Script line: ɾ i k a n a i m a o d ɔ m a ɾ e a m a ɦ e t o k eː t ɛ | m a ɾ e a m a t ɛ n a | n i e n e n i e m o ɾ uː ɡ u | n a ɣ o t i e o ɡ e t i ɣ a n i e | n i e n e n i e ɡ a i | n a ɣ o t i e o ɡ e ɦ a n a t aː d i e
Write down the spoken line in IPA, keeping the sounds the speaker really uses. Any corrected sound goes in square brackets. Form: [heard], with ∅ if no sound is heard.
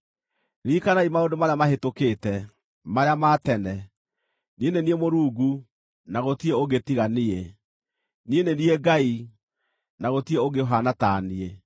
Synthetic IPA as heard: ɾ i k a n a i m a o d [o] m a ɾ e a m a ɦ e t o k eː t ɛ | m a ɾ e a m a t ɛ n [ɛ] | n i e n e n i e m o ɾ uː ɡ u | n a ɣ o t i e o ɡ e t i ɣ a n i e | n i e n e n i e ɡ a i | n a ɣ o t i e o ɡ e ɦ a n a t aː [n] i e